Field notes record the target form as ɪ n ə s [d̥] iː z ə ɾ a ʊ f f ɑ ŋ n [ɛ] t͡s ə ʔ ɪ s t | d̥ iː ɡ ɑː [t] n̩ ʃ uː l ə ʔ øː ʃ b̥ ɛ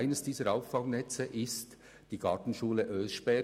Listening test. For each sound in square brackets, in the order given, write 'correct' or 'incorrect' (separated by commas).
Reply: correct, correct, correct